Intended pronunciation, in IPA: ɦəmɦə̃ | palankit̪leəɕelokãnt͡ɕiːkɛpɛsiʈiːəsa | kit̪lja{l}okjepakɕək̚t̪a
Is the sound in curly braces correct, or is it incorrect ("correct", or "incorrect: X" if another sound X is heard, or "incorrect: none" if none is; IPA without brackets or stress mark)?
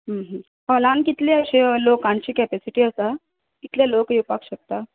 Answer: correct